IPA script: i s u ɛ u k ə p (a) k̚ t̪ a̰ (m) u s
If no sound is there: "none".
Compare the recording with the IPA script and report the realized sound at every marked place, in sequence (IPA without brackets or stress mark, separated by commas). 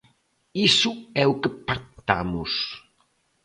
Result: a, m